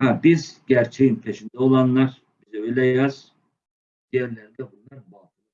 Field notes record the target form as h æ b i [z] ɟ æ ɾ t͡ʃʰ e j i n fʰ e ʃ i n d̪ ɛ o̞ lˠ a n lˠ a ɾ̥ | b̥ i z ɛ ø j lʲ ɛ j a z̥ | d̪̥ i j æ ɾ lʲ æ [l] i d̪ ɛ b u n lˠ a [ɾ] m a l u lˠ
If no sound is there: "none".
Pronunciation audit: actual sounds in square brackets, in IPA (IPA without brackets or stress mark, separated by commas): z, ɾ, ɾ